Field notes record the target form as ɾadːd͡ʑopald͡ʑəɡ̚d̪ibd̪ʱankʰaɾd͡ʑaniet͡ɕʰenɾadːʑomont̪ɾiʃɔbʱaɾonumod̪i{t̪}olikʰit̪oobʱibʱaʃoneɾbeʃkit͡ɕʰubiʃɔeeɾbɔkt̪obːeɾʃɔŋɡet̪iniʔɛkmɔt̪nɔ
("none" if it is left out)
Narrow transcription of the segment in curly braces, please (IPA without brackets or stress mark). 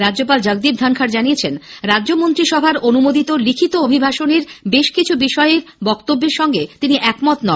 t̪